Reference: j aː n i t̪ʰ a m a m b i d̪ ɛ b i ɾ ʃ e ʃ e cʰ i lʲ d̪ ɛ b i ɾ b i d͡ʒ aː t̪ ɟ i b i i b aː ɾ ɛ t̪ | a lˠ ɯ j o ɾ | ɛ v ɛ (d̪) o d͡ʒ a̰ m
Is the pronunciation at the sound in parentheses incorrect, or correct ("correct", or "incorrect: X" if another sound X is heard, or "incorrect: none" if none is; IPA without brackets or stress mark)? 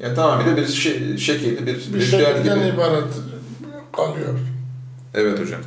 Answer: incorrect: t̪